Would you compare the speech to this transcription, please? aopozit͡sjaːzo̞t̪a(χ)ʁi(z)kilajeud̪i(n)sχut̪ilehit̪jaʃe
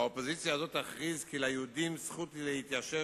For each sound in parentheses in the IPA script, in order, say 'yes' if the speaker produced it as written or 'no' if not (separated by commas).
yes, yes, no